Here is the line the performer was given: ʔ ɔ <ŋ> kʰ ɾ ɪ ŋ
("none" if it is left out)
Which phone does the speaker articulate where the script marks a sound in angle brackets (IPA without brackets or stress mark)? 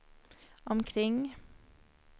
m